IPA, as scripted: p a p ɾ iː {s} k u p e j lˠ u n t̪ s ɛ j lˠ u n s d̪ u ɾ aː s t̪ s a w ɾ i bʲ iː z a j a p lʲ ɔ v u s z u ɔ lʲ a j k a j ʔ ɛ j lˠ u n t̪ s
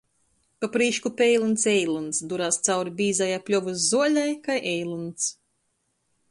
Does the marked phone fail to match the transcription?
yes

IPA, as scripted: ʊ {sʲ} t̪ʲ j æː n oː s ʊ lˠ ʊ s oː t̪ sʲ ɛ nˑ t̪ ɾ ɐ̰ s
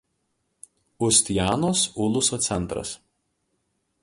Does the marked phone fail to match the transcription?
no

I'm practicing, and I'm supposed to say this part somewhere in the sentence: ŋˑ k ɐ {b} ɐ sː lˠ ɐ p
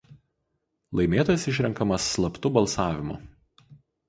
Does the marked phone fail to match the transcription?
yes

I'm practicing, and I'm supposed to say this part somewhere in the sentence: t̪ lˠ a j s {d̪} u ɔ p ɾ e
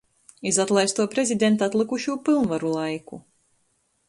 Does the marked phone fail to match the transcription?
yes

